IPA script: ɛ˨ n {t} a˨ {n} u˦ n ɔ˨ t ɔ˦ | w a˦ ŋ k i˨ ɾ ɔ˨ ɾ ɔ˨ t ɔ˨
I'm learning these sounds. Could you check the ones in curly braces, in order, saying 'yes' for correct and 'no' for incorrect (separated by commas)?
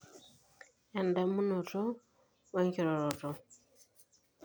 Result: no, no